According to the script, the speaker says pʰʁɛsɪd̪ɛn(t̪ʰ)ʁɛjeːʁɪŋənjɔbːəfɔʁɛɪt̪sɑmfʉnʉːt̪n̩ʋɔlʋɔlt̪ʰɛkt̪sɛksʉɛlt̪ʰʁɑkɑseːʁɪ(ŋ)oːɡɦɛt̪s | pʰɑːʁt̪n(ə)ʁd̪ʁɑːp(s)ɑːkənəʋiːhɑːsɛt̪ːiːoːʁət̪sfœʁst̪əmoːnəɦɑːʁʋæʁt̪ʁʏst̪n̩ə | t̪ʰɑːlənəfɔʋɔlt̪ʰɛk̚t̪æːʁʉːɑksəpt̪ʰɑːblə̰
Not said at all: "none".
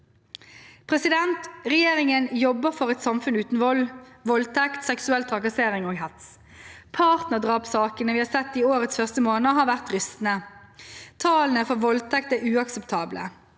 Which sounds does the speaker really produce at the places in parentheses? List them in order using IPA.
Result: t̪, ŋ, ə, s

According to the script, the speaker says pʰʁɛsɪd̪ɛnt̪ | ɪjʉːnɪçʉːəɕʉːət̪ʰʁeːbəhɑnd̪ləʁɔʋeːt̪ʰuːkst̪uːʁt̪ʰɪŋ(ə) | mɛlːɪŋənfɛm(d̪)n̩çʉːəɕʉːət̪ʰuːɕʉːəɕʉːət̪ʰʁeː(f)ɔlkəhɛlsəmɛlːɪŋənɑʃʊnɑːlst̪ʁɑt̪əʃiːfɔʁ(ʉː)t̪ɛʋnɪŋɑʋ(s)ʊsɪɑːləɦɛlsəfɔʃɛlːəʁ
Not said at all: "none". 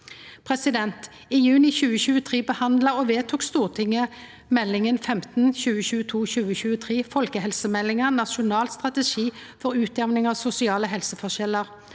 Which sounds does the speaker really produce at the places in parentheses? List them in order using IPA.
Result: ə, t̪, f, ʉː, s

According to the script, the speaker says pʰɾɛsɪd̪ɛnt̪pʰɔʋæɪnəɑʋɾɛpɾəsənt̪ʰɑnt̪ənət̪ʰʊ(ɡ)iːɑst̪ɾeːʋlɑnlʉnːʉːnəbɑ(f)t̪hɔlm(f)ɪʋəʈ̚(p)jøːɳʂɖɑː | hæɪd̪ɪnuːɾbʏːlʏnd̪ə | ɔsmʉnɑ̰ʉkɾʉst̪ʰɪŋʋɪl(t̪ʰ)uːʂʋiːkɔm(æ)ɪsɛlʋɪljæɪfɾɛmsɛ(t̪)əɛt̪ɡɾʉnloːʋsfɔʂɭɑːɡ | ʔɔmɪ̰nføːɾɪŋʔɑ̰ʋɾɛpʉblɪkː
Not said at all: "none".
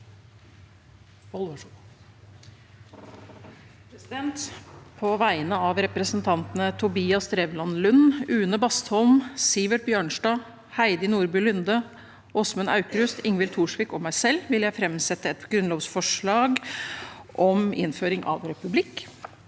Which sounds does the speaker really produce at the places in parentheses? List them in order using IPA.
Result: b, s, s, b, t̪ʰ, æ, t̪

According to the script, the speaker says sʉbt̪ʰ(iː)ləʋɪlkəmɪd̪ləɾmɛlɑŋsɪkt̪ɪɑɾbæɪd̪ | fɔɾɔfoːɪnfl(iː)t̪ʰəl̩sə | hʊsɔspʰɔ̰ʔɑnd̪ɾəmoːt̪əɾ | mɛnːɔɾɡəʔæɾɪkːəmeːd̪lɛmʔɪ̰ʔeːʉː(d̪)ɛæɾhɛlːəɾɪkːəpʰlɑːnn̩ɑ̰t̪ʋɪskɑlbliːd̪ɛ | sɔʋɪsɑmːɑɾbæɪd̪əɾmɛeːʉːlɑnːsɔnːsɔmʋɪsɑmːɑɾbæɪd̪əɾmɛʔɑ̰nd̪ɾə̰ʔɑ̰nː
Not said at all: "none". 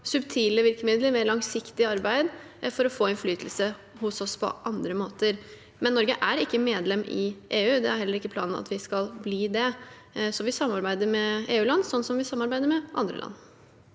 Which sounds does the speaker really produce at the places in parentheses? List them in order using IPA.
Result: iː, yː, d̪

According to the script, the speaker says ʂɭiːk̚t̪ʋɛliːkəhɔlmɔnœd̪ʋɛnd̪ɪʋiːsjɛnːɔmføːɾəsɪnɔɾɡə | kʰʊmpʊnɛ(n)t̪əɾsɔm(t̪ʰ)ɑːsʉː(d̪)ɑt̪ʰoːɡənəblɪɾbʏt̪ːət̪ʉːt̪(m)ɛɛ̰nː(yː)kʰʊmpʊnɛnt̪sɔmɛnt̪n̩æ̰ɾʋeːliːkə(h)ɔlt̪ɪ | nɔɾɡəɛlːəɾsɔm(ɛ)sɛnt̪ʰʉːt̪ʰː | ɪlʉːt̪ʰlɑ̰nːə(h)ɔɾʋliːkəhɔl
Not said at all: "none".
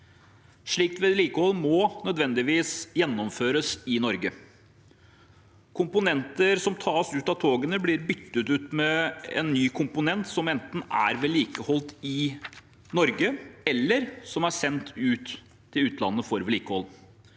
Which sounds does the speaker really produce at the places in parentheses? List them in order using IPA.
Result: n, t̪ʰ, t̪, m, yː, h, æ, f

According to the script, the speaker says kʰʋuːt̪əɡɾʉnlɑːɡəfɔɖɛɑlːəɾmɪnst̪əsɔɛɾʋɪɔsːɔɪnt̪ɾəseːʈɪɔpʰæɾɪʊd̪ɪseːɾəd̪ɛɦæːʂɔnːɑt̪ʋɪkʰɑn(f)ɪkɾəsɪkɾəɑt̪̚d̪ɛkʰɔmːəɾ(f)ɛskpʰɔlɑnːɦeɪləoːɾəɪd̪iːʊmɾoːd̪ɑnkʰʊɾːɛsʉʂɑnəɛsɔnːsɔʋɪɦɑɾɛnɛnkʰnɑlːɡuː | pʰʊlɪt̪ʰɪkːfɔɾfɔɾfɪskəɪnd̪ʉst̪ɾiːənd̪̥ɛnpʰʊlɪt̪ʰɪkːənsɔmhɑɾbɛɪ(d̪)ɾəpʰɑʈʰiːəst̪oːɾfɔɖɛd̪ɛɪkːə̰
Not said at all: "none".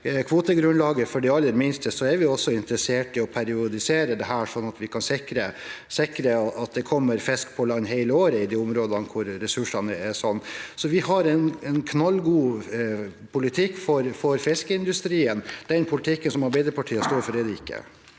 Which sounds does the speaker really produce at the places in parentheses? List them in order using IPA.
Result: s, f, d̪

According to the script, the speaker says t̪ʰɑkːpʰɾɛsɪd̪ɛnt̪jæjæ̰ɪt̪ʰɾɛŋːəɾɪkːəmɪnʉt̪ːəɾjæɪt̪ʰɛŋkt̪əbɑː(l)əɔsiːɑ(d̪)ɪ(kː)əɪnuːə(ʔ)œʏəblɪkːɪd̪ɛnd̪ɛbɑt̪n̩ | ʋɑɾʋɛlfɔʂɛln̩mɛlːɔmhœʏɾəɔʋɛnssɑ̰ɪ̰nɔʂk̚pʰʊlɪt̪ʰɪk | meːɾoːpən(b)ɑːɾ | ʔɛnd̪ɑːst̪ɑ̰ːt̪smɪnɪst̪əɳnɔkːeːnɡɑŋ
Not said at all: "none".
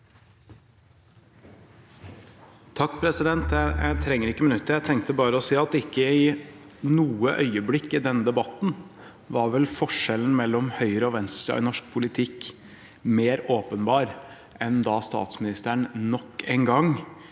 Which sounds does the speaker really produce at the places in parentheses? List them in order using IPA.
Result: ɾ, t̪, kː, ʔ, b

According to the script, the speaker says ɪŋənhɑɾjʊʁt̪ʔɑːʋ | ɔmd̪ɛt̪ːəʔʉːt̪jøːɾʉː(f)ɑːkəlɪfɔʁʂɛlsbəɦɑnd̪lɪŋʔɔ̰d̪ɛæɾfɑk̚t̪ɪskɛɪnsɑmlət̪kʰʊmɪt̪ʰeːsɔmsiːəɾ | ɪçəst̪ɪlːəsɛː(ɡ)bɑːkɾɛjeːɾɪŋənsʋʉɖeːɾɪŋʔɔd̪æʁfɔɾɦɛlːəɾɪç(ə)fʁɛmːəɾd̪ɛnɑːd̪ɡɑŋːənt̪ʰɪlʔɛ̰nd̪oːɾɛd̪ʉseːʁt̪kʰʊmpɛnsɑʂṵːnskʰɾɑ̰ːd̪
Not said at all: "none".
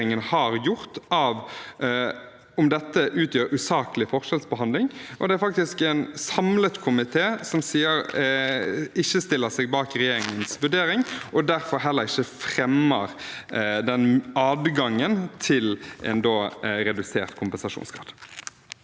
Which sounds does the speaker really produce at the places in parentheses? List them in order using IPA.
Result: s, ɡ, ə

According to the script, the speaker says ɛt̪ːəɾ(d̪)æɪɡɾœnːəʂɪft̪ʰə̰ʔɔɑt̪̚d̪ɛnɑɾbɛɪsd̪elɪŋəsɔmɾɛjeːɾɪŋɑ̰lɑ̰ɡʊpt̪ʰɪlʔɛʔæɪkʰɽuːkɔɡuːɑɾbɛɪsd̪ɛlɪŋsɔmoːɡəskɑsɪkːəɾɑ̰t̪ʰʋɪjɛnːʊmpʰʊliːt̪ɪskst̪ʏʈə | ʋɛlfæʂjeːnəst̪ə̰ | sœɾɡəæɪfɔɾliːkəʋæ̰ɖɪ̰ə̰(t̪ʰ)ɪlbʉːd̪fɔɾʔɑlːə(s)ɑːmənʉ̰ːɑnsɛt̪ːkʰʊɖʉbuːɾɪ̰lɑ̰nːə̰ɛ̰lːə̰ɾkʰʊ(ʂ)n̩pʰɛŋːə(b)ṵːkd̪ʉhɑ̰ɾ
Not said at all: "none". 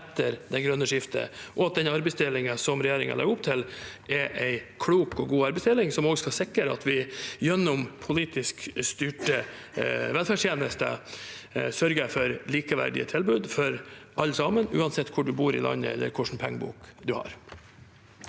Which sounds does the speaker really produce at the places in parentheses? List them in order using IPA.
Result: d̪, t̪ʰ, s, ʂ, b

